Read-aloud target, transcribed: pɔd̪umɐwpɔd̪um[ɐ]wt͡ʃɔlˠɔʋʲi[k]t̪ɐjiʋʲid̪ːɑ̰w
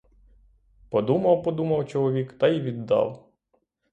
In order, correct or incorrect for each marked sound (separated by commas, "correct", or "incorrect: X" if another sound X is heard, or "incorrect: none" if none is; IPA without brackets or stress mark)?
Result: correct, correct